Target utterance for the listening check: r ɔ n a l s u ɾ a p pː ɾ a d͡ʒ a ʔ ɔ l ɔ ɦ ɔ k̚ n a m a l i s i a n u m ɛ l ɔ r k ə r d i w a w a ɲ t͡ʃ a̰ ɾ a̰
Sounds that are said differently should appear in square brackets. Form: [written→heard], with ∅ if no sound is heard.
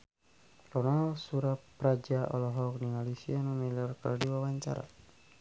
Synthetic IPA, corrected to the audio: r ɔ n a l s u ɾ a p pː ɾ a d͡ʒ a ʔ ɔ l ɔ ɦ ɔ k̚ n [a→i] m a l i s i a n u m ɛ l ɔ r k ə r d i w a w a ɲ t͡ʃ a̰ ɾ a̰